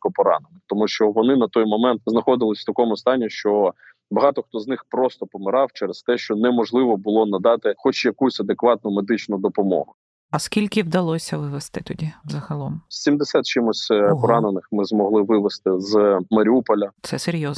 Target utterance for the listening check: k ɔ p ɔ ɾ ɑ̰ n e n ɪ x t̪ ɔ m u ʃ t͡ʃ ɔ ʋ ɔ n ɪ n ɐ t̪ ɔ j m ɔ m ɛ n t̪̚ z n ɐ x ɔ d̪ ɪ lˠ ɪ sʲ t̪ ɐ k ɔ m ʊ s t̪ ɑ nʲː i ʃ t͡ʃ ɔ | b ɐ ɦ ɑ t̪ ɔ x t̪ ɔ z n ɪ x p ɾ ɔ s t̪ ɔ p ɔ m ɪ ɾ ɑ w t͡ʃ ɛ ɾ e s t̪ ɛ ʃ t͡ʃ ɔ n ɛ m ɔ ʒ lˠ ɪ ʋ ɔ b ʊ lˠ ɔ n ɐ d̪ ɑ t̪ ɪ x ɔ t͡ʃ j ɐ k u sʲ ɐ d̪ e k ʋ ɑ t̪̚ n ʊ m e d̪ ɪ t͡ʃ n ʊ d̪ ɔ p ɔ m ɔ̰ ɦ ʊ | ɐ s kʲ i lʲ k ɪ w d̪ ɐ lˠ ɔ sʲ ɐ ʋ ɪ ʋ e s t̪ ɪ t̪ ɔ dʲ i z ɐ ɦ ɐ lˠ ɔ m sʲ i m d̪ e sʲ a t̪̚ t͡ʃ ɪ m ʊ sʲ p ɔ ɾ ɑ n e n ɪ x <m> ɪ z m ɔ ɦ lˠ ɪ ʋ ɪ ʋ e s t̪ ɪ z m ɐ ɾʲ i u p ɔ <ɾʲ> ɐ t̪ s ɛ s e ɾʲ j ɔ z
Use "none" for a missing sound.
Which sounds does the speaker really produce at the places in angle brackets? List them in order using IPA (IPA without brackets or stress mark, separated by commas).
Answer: m, lʲ